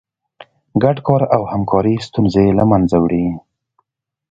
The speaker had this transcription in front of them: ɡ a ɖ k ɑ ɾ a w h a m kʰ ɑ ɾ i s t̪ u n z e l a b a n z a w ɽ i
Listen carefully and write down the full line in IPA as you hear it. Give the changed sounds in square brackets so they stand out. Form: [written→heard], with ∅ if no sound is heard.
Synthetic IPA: ɡ a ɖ k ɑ ɾ a w h a m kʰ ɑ ɾ i s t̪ u n z e l a [b→m] a n z a w ɽ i